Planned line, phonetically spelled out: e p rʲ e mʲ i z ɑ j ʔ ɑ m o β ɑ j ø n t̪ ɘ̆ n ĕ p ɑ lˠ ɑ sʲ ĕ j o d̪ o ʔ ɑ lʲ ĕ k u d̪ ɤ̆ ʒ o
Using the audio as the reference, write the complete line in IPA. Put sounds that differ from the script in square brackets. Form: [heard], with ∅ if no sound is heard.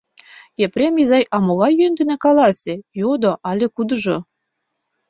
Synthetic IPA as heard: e p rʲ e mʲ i z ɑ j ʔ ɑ m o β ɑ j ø n [d̪] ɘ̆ n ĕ [k] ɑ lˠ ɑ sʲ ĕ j o d̪ o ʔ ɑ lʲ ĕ k u d̪ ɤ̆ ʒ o

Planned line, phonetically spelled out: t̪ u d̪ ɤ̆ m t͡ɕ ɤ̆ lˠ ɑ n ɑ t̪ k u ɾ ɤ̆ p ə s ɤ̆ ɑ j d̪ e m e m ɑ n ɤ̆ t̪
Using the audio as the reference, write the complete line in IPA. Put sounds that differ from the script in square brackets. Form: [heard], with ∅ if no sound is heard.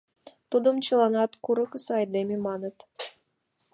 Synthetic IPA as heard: t̪ u d̪ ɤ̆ m t͡ɕ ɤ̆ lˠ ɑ n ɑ t̪ k u ɾ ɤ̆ [k] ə s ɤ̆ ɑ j d̪ e m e m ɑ n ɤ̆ t̪

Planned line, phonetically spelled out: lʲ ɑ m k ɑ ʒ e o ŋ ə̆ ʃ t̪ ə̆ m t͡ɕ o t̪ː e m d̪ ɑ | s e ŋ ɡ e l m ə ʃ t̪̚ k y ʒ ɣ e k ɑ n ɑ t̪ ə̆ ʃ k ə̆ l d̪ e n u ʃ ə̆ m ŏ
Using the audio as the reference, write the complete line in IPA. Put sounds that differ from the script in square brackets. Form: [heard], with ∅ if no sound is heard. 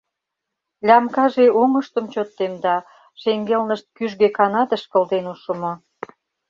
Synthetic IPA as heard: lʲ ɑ m k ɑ ʒ e o ŋ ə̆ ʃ t̪ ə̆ m t͡ɕ o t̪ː e m d̪ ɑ | [ʃ] e ŋ ɡ e l [n] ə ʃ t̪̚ k y ʒ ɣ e k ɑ n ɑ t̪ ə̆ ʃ k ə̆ l d̪ e n u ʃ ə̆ m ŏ

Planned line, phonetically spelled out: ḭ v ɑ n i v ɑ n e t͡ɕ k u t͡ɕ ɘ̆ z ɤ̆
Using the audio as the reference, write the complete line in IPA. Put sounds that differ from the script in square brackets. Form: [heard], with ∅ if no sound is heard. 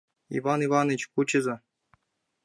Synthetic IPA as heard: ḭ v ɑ n i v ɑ n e t͡ɕ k u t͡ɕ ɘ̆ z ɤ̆

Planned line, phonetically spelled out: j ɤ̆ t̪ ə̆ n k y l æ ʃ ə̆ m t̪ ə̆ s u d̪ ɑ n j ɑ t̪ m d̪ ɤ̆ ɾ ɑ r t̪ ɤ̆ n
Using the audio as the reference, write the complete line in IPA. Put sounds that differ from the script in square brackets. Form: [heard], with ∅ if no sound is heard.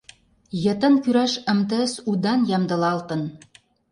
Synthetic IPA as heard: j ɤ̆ t̪ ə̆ n k y [ɾ] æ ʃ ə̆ m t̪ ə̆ s u d̪ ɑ n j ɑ [∅] m d̪ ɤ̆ [l] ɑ [l] t̪ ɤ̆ n

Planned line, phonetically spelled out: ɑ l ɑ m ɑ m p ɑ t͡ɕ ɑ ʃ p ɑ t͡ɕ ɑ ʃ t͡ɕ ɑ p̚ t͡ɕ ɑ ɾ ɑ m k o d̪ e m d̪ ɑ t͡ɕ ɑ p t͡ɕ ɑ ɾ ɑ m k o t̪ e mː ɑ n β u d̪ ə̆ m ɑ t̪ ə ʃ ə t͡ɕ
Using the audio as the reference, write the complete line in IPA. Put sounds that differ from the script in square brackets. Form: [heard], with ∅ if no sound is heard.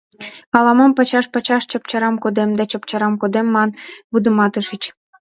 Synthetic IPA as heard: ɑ l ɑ m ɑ m p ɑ t͡ɕ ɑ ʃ p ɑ t͡ɕ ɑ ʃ t͡ɕ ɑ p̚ t͡ɕ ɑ ɾ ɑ m k o d̪ e m d̪ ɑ t͡ɕ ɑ p t͡ɕ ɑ ɾ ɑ m k o [d̪] e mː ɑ n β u d̪ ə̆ m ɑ t̪ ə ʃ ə t͡ɕ

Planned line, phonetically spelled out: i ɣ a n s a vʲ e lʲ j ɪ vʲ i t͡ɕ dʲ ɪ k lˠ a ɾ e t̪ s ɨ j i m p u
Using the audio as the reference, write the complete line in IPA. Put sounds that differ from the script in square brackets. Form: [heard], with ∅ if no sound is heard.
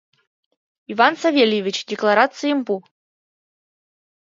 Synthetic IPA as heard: i [v] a n s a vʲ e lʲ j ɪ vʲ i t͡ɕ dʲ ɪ k lˠ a ɾ [a] t̪ s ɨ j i m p u

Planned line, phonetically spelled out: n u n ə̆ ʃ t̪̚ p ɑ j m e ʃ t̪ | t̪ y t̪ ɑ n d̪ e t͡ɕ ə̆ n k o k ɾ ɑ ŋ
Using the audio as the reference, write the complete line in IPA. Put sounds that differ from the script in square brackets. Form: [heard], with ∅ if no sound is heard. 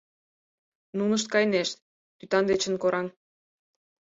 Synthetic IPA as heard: n u n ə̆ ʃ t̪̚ [k] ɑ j [n] e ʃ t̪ | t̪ y t̪ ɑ n d̪ e t͡ɕ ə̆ n k o [∅] ɾ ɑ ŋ

